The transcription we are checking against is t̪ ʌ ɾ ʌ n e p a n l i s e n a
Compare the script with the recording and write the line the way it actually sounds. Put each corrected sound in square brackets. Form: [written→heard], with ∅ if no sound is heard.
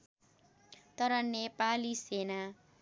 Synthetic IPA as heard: t̪ ʌ ɾ ʌ n e p a [n→∅] l i s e n a